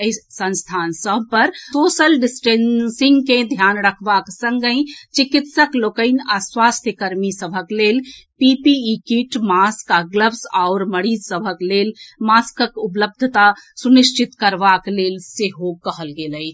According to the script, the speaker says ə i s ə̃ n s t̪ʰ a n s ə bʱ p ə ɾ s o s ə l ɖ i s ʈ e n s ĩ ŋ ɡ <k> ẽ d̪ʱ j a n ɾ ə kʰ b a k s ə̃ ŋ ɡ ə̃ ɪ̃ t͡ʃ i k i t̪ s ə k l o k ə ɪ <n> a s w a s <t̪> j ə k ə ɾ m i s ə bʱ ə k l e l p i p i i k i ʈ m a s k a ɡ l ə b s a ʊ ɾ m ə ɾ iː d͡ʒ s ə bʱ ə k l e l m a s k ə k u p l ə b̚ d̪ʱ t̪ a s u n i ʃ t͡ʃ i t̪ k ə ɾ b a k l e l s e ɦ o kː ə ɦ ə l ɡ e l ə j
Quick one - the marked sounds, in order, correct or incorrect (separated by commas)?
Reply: correct, correct, incorrect